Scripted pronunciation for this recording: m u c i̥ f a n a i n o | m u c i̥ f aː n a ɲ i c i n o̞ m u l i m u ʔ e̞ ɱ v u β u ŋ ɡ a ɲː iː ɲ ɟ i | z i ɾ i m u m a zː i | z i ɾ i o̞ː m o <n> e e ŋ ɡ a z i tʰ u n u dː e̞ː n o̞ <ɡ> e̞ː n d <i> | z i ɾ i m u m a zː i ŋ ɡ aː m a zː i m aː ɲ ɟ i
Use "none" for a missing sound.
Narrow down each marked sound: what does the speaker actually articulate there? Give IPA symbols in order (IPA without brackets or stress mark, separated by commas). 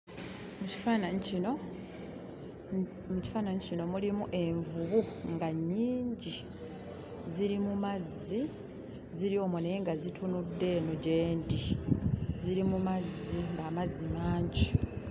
n, ɟ, i